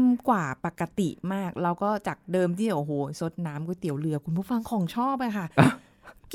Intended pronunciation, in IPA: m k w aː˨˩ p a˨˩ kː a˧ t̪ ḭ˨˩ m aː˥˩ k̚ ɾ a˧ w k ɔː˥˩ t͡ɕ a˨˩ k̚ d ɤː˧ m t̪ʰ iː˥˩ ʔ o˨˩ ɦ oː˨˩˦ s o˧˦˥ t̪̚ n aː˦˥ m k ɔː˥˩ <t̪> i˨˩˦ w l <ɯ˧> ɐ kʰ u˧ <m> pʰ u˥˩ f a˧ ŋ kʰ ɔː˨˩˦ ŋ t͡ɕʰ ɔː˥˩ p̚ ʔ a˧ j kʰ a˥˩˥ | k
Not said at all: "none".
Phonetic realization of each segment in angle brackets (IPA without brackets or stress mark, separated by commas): t̪, ɯ˧, n